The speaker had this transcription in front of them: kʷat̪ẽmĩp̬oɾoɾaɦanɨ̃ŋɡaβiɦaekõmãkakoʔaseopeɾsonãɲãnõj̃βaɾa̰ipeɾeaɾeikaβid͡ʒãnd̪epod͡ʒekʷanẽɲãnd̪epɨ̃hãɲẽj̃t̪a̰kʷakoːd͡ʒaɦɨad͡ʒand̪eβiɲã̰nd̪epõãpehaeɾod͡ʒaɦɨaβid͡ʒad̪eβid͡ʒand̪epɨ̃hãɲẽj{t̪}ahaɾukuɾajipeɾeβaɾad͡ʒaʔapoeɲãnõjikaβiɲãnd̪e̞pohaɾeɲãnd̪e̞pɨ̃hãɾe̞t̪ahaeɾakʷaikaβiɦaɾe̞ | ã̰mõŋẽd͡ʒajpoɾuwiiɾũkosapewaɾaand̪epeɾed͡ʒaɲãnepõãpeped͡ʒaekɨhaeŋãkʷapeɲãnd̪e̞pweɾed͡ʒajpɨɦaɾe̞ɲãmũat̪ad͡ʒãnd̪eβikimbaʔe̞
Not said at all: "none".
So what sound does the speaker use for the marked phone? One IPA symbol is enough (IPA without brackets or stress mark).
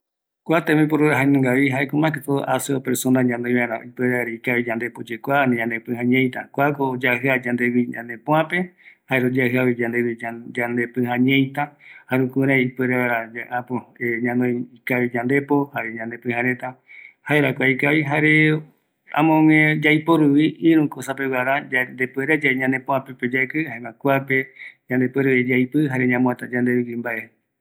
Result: t̪